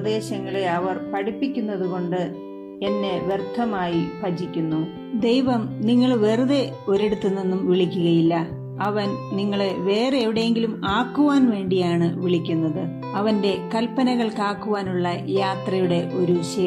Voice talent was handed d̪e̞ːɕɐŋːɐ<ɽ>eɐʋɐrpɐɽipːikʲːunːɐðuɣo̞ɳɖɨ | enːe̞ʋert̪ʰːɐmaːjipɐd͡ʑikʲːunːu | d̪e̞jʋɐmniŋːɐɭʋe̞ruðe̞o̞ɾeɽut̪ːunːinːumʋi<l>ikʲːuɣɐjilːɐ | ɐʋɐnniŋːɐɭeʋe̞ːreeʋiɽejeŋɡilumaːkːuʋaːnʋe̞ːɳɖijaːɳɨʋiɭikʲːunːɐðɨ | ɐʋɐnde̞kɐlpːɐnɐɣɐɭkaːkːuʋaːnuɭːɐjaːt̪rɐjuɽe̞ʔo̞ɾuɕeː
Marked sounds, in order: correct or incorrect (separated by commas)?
incorrect, incorrect